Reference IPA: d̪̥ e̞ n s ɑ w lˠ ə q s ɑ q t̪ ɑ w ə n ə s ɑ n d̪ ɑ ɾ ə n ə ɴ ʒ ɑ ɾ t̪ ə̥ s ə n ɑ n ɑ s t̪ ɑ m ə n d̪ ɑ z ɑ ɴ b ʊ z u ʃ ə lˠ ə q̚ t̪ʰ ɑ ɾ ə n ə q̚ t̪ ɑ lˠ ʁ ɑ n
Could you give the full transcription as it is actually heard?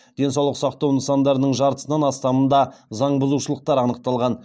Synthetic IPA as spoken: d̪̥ e̞ n s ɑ w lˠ ə q s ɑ q t̪ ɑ w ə n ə s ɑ n d̪ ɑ ɾ ə n ə ɴ ʒ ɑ ɾ t̪ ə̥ s ə n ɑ n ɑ s t̪ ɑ m ə n d̪ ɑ z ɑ ɴ b ʊ z u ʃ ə lˠ ə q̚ t̪ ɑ ɾ ɑ n ə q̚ t̪ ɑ lˠ ʁ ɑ n